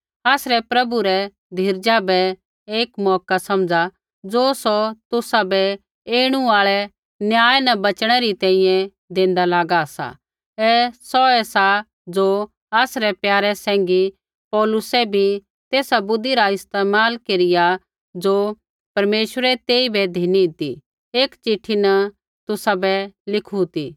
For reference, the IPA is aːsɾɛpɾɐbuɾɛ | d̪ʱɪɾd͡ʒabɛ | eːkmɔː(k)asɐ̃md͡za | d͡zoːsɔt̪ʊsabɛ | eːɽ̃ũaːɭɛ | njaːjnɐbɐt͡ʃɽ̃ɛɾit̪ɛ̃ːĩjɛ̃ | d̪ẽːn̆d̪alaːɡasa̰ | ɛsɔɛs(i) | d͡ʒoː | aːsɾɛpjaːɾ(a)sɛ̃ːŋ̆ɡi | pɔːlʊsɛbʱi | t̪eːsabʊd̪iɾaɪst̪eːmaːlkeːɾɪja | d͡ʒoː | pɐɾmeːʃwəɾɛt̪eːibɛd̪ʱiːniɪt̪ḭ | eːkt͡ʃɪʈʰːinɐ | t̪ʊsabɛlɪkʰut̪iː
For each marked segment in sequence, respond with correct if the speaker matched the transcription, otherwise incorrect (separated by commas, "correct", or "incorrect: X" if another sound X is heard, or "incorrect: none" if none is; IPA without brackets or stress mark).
correct, incorrect: a, incorrect: ɛ